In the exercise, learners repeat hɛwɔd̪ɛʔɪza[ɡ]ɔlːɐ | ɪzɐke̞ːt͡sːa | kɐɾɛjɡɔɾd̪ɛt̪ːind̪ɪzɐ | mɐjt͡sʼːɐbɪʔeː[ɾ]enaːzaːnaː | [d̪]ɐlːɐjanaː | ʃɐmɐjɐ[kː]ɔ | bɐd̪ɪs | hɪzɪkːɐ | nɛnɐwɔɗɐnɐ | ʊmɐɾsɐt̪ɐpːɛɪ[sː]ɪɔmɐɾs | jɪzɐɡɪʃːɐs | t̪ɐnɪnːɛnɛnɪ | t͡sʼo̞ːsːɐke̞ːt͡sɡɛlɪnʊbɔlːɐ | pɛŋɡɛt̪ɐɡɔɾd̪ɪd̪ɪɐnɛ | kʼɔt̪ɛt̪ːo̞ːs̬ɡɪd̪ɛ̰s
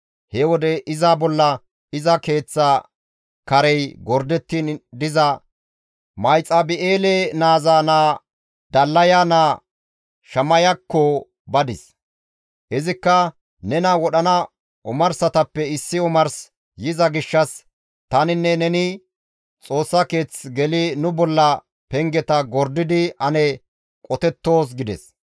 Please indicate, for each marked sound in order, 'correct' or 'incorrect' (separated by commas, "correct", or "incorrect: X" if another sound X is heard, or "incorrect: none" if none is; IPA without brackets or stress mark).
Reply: incorrect: b, incorrect: l, correct, correct, correct